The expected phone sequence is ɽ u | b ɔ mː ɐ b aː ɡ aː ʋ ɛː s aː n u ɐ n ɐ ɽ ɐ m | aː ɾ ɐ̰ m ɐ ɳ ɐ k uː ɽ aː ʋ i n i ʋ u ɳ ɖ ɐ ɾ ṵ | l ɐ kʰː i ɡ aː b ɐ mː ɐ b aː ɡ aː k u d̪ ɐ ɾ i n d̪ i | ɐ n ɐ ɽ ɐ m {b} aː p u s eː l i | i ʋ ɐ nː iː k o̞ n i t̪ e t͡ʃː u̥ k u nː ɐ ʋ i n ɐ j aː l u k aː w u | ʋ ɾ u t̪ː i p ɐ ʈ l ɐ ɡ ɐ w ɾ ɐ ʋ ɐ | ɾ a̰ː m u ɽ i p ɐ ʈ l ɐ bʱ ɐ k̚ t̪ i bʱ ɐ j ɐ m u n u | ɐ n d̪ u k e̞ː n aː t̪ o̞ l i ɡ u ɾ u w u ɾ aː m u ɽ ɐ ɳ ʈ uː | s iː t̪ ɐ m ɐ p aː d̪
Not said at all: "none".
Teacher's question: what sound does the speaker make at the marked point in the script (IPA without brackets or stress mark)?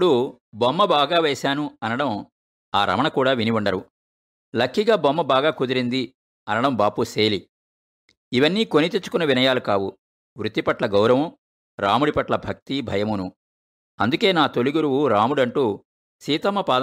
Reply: b